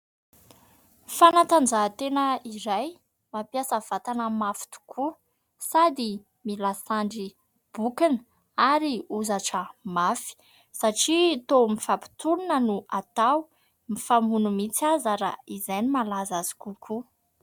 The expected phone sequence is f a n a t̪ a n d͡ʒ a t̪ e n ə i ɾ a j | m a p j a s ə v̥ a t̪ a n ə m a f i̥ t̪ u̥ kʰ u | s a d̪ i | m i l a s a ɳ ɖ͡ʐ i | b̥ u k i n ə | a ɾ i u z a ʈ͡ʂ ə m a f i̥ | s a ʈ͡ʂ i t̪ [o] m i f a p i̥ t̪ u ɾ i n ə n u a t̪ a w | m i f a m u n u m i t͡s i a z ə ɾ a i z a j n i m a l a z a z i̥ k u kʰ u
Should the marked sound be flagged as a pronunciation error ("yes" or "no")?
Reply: no